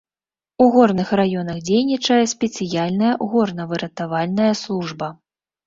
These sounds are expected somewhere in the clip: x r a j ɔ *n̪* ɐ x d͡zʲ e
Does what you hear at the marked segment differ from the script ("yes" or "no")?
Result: no